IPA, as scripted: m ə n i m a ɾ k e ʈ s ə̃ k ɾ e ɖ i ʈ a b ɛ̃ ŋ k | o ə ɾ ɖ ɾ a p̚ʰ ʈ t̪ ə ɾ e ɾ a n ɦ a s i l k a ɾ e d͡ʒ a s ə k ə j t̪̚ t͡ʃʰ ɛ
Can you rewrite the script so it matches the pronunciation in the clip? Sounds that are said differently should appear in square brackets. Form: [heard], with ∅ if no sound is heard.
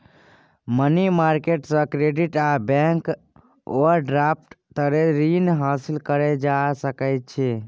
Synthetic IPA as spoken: m ə n i m a ɾ k e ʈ s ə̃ k ɾ e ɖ i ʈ a b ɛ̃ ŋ k | o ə ɾ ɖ ɾ a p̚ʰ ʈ t̪ ə ɾ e ɾ [i] n ɦ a s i l k [ə] ɾ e d͡ʒ a s ə k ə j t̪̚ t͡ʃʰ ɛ